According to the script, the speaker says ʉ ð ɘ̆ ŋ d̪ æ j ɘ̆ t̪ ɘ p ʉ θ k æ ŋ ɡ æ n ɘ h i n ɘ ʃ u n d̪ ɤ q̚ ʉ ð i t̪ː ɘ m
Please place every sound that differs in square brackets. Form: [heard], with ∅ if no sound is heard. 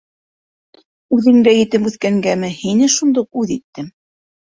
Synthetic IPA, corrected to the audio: ʉ ð ɘ̆ ŋ d̪ æ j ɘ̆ t̪ ɘ p ʉ θ k æ ŋ ɡ æ [m] ɘ h i n ɘ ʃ u n d̪ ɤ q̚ ʉ ð i t̪ː ɘ m